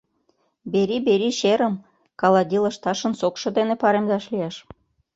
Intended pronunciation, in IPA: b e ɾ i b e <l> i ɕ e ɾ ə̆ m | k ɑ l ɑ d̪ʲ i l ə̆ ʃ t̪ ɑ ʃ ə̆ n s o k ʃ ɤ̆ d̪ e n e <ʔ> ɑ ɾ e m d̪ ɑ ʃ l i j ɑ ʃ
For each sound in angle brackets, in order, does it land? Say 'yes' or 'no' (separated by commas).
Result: no, no